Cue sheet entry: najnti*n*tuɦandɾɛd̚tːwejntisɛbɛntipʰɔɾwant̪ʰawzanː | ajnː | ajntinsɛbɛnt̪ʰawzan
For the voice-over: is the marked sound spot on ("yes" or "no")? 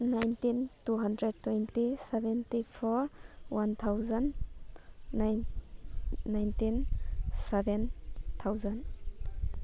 yes